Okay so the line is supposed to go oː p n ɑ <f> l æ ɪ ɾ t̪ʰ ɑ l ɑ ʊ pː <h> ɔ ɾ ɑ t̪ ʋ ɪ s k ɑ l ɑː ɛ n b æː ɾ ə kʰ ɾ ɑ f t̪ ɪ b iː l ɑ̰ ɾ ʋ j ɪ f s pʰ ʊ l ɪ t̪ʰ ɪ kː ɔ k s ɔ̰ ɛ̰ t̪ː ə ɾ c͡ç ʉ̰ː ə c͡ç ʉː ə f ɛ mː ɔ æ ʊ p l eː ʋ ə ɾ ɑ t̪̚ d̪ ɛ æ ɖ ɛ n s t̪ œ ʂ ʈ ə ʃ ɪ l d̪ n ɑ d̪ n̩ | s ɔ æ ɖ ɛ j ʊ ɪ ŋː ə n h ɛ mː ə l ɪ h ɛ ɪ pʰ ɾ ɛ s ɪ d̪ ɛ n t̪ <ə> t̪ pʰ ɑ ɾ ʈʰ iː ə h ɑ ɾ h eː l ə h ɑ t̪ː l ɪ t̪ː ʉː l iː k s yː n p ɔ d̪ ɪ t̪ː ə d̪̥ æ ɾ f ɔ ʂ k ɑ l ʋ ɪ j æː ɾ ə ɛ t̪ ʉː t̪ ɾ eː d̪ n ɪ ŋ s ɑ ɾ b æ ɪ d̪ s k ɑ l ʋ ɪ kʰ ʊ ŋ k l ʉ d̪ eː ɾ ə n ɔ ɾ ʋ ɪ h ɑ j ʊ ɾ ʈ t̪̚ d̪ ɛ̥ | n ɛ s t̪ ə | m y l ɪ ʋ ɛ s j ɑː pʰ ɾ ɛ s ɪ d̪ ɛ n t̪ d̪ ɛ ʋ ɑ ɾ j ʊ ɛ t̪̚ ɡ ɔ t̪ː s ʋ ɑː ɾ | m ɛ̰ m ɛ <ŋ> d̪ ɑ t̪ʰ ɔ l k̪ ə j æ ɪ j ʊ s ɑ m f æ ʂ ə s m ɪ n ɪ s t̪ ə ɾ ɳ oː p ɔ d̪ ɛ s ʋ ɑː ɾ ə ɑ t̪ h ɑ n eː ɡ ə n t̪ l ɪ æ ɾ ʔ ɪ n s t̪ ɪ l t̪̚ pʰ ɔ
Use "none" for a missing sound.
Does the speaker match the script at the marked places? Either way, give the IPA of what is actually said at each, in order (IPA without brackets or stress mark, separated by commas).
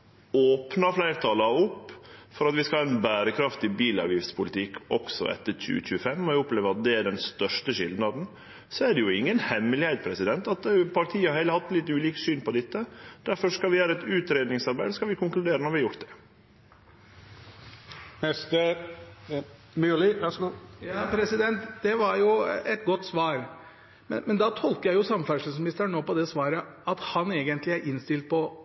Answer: f, f, ɑ, n